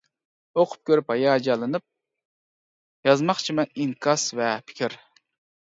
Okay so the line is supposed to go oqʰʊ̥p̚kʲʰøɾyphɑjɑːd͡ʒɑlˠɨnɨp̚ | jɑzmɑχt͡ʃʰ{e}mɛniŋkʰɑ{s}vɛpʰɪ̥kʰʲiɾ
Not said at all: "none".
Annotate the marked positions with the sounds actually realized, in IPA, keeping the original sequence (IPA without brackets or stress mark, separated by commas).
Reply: i, s